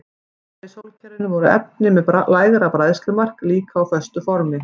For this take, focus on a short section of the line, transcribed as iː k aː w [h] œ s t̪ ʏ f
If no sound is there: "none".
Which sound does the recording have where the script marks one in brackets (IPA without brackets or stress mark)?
f